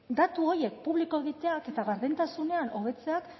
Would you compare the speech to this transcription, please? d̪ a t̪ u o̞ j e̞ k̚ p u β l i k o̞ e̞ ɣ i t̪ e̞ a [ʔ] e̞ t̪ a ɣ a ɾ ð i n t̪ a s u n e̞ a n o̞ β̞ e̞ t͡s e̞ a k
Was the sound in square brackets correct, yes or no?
no